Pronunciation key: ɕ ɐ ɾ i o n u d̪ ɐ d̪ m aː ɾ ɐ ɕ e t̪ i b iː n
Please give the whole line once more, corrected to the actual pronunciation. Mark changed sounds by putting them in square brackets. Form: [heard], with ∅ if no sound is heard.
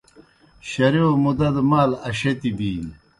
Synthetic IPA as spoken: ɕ ɐ ɾ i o [m] u d̪ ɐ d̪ m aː [l] ɐ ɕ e t̪ i b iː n